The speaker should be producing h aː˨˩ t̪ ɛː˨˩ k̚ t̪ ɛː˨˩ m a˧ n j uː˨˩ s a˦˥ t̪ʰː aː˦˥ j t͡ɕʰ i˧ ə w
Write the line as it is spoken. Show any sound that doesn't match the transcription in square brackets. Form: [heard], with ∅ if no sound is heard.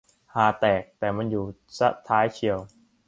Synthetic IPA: h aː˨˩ t̪ ɛː˨˩ k̚ t̪ ɛː˨˩ m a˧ n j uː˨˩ s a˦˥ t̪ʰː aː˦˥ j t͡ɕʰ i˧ ə w